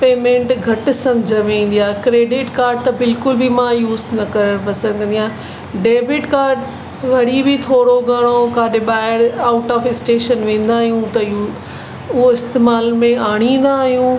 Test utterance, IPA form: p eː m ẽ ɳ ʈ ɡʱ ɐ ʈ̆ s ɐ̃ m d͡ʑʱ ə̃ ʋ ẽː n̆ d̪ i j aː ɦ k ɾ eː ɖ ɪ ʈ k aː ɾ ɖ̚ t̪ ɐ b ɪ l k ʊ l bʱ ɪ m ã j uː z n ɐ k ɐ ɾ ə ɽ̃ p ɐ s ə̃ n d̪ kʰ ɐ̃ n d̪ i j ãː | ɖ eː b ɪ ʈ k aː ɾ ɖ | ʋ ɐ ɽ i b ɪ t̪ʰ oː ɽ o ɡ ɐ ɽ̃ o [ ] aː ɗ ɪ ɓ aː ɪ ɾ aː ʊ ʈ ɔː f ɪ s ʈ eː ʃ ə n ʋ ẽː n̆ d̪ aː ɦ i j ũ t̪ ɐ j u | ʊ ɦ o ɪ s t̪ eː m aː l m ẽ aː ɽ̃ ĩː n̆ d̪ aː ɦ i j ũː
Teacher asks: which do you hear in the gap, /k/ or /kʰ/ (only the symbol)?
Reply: k